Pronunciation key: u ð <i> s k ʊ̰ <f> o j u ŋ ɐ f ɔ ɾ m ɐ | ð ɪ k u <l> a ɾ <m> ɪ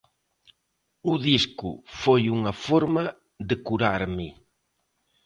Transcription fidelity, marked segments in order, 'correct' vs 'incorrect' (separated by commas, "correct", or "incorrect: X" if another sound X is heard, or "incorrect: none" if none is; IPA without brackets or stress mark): correct, correct, incorrect: ɾ, correct